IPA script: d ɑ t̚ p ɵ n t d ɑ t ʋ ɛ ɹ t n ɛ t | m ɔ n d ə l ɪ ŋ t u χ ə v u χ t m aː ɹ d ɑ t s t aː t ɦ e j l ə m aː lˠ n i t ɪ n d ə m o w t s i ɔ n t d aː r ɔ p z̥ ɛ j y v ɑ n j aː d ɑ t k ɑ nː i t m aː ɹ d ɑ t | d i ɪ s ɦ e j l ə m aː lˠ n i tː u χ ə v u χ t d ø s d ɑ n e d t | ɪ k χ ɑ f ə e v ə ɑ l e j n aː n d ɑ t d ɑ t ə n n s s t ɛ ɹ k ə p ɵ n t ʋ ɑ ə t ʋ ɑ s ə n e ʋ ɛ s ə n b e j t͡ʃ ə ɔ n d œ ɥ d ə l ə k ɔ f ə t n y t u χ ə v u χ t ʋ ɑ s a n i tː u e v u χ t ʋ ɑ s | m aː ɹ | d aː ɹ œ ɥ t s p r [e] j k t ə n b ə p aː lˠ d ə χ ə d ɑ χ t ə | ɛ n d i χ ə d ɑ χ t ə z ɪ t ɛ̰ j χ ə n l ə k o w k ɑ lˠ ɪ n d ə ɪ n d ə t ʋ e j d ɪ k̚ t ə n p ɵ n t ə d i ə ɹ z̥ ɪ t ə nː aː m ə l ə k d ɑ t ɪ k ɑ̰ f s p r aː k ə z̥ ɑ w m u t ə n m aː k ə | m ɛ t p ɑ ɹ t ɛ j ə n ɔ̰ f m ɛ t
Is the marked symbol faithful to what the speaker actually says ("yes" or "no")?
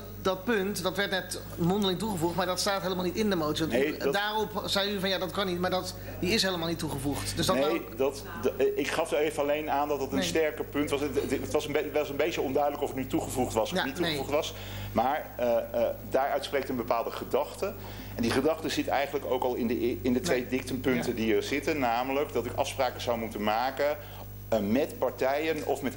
yes